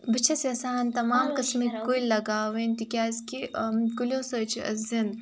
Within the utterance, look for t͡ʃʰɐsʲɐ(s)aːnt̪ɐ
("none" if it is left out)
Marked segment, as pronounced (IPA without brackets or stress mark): s